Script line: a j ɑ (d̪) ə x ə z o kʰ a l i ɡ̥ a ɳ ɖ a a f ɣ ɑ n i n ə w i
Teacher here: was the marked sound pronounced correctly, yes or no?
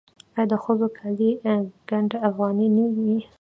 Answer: yes